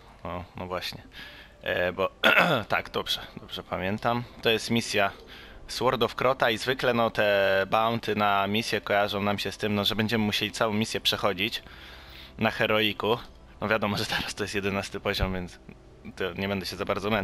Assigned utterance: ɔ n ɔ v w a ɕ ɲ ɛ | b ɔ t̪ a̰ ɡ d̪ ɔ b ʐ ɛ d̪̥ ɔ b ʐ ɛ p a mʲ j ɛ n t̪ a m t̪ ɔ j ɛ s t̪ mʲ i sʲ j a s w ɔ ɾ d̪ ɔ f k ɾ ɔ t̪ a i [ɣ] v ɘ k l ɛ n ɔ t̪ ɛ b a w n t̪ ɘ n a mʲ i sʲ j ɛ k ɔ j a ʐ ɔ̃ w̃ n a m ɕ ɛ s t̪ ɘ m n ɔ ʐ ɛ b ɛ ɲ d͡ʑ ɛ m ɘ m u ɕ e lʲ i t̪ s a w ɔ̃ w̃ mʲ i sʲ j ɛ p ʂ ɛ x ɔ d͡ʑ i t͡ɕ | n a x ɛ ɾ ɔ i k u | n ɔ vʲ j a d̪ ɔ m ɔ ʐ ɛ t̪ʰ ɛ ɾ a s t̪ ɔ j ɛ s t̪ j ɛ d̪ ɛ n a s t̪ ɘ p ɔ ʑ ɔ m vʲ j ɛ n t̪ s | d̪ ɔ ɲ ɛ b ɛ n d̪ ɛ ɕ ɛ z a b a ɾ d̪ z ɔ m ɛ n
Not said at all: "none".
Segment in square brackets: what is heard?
z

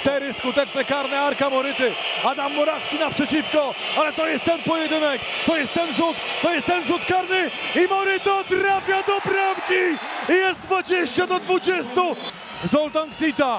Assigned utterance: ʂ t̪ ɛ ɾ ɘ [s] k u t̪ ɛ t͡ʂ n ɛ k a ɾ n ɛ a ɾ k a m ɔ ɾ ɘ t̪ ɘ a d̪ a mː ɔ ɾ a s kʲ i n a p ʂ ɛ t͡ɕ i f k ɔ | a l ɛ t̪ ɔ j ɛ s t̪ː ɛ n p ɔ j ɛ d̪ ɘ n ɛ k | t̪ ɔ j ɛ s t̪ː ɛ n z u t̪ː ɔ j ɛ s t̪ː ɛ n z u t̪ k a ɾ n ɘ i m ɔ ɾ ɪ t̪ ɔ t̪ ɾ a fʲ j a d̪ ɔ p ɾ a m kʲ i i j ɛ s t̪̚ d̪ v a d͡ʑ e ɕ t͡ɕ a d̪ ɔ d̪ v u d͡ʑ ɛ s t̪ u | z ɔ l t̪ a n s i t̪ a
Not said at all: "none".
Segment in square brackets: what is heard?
s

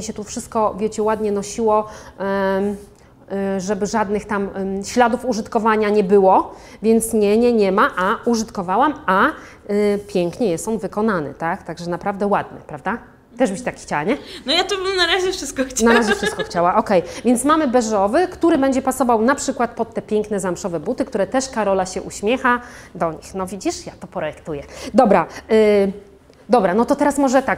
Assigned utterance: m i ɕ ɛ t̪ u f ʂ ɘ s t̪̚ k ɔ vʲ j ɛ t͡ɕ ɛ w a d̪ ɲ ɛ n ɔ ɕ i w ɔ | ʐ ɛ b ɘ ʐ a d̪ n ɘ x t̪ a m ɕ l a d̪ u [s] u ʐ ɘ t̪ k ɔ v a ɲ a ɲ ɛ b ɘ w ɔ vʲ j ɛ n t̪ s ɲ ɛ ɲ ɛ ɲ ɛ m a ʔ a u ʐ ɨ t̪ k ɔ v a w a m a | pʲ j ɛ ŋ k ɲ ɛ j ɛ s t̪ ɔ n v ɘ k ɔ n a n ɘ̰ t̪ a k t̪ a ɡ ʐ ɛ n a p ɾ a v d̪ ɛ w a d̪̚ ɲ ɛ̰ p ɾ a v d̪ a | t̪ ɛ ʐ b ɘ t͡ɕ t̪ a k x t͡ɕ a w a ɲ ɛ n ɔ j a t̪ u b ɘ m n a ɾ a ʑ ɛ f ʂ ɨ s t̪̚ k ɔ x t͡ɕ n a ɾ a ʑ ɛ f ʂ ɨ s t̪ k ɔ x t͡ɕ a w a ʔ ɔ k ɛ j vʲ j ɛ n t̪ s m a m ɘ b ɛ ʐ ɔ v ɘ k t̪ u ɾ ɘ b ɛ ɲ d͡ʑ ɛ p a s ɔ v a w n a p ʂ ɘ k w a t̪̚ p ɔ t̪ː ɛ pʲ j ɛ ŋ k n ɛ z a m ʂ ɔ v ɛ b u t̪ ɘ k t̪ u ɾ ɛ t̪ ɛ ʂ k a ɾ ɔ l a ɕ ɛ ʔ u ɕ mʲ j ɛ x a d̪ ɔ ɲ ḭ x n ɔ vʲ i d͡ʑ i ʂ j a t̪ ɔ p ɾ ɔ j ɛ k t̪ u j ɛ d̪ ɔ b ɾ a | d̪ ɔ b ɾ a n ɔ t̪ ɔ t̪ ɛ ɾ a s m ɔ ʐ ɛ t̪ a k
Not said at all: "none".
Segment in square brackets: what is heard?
f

